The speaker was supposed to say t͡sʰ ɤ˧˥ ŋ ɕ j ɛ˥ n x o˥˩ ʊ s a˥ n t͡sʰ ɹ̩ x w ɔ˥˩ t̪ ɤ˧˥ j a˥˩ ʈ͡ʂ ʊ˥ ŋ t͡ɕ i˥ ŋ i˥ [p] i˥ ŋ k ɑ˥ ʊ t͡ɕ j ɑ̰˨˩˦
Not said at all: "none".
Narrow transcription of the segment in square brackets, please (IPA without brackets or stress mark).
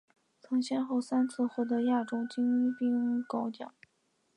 p